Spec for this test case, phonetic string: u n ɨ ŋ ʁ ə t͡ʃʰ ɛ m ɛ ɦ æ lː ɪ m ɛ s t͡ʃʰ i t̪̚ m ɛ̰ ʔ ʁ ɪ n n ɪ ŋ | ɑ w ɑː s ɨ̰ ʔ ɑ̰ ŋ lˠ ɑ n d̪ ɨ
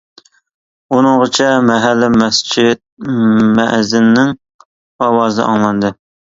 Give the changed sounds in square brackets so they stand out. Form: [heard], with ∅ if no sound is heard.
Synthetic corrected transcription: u n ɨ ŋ ʁ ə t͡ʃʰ ɛ m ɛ ɦ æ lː ɪ m ɛ s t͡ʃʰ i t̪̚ m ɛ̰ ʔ [z] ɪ n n ɪ ŋ | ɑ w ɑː [z] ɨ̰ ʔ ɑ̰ ŋ lˠ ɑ n d̪ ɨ